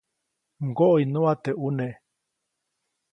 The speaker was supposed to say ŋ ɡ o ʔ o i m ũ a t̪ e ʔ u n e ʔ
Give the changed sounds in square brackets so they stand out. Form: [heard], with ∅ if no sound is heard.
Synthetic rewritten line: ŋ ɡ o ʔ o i [n] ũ a t̪ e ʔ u n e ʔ

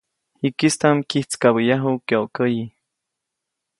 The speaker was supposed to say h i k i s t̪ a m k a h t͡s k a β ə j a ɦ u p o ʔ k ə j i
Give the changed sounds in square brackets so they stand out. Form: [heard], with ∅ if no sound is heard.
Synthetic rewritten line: h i k i s t̪ a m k [i] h t͡s k a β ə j a ɦ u [k] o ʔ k ə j i

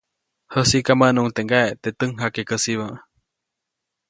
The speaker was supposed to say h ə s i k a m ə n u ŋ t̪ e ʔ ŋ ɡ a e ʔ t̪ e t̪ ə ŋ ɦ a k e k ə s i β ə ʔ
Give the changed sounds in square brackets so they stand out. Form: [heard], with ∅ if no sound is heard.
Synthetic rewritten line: h ə s i k a m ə n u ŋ t̪ e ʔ ŋ ɡ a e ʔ t̪ e t̪ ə ŋ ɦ a k e k ə s i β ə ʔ

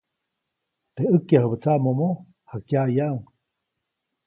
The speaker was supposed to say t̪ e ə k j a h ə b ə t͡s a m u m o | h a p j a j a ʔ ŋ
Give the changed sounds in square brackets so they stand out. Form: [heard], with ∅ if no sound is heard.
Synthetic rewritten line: t̪ e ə k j a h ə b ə t͡s a m [o] m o | h a [k] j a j a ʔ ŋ

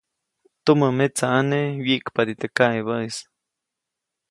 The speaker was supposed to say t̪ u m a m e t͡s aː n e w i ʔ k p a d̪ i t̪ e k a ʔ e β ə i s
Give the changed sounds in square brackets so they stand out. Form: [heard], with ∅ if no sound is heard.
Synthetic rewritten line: t̪ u m [ə] m e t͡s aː n e w i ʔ k p a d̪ i t̪ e k a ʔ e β ə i s

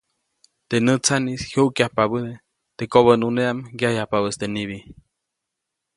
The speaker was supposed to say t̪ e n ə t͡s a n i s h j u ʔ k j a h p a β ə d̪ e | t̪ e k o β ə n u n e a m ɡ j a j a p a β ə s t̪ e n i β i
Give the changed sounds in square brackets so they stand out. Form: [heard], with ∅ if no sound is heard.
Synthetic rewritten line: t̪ e n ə t͡s a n i s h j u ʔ k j a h p a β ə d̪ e | t̪ e k o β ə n u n e a m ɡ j a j a p a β ə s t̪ e n i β i

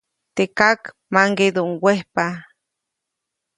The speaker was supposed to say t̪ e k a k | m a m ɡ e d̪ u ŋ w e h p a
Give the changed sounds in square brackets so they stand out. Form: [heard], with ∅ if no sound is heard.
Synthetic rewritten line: t̪ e k a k | m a [ŋ] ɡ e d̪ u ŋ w e h p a

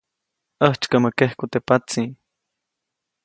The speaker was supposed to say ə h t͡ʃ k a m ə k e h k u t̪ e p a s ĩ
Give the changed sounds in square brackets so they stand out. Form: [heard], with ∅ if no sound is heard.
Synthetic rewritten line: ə h t͡ʃ k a m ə k e h k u t̪ e p a [t͡s] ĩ

